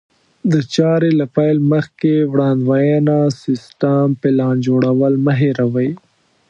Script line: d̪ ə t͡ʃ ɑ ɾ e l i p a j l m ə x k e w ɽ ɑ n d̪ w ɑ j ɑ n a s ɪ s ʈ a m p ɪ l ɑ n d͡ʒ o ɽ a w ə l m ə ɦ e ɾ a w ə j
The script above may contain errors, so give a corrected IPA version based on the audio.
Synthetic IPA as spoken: d̪ ə t͡ʃ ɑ ɾ e l a p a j l m ə x k e w ɽ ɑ n d̪ w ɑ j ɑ n a s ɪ s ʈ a m p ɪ l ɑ n d͡ʒ o ɽ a w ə l m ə ɦ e ɾ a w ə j